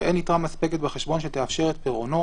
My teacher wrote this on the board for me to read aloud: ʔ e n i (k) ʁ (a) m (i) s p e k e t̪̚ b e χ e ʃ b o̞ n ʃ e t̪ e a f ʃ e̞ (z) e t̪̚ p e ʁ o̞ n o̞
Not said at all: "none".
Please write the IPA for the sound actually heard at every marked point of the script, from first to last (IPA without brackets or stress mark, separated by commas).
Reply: t, a, a, ʁ